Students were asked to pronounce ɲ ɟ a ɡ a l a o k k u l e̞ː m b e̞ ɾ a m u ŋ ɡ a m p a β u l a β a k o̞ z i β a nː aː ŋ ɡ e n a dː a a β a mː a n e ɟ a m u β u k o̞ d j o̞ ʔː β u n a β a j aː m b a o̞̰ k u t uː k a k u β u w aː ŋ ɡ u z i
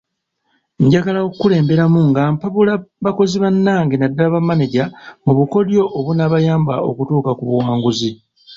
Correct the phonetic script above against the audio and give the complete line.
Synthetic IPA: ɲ ɟ a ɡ a l a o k k u l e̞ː m b e̞ ɾ a m u ŋ ɡ a m p a β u l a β a k o̞ z i β a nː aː ŋ ɡ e n a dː a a β a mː a n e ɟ a m u β u k o̞ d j o̞ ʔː β u n a β a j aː m b a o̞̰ k u t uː k a k u β u w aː ŋ ɡ u z i